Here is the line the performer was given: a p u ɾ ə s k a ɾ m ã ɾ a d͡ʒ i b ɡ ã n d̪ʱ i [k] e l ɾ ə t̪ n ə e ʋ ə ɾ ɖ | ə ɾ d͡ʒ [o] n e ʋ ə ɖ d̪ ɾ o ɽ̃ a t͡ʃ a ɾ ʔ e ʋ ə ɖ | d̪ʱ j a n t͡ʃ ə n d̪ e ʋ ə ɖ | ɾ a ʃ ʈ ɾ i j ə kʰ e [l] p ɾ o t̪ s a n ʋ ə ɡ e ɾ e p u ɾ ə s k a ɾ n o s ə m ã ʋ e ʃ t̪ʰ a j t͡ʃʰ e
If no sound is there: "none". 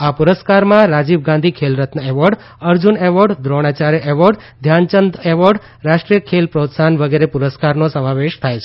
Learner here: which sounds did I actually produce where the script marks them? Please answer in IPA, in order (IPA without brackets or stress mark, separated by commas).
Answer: kʰ, u, l